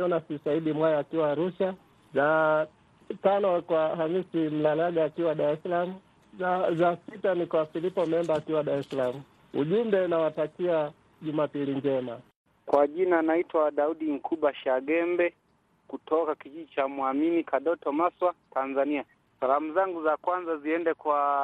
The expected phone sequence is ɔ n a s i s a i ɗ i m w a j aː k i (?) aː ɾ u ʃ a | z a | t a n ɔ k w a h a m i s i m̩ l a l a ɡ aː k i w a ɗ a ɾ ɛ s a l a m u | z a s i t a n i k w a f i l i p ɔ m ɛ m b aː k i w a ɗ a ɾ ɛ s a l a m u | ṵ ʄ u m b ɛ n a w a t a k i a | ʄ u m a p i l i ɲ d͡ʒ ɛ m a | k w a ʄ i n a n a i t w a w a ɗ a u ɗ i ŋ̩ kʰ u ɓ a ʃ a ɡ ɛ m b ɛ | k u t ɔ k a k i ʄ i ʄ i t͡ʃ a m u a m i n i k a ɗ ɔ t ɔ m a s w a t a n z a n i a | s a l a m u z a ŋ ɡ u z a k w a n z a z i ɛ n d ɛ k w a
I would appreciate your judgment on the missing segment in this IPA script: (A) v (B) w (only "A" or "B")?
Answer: B